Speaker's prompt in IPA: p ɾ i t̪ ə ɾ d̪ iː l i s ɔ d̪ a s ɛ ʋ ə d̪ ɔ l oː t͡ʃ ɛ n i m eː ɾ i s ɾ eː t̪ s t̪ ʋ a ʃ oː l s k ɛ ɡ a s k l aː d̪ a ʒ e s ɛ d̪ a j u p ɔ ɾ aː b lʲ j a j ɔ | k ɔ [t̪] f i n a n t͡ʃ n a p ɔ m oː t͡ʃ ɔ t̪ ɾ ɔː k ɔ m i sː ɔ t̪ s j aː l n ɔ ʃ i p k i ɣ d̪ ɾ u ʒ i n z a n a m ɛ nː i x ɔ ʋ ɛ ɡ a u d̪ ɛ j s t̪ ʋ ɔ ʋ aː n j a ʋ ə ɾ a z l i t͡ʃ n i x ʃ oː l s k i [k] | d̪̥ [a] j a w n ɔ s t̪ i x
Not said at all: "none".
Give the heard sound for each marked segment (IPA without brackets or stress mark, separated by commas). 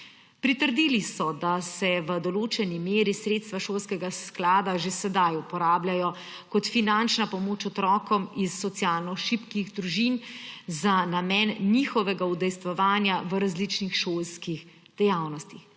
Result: t̪, x, ɛ